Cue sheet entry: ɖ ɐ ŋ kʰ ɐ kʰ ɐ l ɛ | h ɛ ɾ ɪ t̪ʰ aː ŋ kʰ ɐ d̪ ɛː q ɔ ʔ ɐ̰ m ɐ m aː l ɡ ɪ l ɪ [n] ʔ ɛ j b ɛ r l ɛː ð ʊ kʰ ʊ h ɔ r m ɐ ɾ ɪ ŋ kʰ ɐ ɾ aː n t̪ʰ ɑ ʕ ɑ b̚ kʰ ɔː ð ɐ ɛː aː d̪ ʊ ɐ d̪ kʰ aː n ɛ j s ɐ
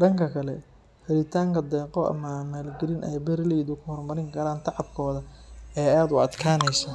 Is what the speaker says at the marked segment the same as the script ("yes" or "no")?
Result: yes